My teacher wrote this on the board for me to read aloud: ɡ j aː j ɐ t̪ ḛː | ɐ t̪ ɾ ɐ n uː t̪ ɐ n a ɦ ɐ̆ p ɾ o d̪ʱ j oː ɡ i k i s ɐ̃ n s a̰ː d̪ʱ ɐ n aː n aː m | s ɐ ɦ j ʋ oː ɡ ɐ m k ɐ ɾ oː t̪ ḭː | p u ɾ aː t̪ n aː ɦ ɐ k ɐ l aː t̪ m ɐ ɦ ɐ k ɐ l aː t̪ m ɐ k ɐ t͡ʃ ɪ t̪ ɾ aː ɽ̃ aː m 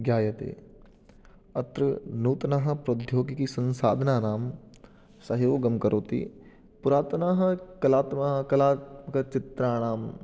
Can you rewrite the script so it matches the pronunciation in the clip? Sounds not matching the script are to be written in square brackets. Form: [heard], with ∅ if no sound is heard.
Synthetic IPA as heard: ɡ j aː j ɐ t̪ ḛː | ɐ t̪ ɾ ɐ n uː t̪ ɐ n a ɦ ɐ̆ p ɾ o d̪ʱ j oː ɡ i k i s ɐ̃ n s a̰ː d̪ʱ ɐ n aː n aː m | s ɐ ɦ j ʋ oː ɡ ɐ m k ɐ ɾ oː t̪ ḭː | p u ɾ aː t̪ n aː ɦ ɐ k ɐ l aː t̪ m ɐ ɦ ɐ k ɐ l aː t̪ m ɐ k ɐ t͡ʃ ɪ t̪ ɾ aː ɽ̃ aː m